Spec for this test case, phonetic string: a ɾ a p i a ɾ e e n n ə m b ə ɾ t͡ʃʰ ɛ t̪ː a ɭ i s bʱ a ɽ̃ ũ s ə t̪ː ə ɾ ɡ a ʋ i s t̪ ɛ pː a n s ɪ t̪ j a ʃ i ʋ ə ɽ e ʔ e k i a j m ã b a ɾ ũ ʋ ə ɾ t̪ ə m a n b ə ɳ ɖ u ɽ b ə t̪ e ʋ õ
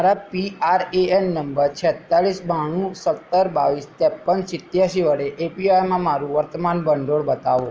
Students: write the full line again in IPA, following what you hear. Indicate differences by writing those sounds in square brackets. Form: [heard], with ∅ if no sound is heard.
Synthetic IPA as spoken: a ɾ a p i a ɾ e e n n ə m b ə ɾ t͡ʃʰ ɛ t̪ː a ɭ i s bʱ a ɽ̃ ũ s ə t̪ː ə ɾ [b] a ʋ i s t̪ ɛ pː [ə] n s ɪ t̪ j a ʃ i ʋ ə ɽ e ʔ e [p] i a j m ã [m] a ɾ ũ ʋ ə ɾ t̪ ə m a n b ə ɳ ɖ [o] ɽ b ə t̪ [a] ʋ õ